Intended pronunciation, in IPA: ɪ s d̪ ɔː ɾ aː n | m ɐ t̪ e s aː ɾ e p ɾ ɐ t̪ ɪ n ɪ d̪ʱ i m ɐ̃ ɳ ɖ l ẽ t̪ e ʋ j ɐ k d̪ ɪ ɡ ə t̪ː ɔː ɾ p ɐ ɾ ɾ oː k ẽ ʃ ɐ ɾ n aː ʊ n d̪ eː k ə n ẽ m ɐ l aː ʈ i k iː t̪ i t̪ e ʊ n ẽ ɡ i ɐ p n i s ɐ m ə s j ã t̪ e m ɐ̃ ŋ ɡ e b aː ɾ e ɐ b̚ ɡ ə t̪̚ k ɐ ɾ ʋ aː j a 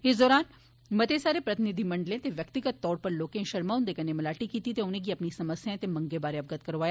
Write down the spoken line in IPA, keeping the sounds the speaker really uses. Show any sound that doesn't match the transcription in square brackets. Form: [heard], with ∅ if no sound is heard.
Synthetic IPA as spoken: ɪ s d̪ ɔː ɾ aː n | m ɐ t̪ e s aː ɾ e p ɾ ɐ t̪ ɪ n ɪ d̪ʱ i m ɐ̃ ɳ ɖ l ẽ t̪ e ʋ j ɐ k [t̪] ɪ ɡ ə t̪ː ɔː ɾ p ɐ ɾ [l] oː k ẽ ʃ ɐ ɾ [m] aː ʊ n d̪ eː k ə n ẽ m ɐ l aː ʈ i k iː t̪ i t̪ e ʊ n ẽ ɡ i ɐ p n i s ɐ m ə s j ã t̪ e m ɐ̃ ŋ ɡ e b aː ɾ e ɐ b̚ ɡ ə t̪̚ k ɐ ɾ ʋ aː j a